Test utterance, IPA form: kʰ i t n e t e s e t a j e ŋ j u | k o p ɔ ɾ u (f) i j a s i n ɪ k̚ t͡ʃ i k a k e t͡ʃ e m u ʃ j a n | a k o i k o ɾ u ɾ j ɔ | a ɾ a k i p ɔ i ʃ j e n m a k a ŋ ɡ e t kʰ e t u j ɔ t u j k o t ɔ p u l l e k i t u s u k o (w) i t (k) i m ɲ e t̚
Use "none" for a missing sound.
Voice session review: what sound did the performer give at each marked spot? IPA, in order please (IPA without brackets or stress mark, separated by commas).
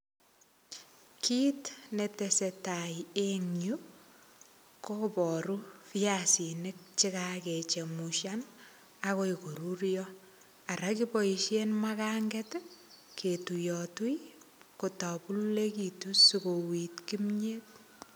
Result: f, w, k